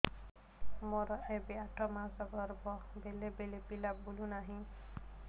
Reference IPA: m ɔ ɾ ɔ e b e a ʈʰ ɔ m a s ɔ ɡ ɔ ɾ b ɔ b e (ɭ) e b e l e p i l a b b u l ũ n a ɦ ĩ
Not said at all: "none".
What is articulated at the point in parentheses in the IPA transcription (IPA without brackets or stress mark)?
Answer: l